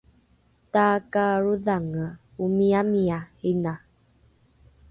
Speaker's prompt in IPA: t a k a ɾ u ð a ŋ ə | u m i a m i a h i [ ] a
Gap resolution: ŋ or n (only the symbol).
n